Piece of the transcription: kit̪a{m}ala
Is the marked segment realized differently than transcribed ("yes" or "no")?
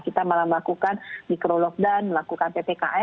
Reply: no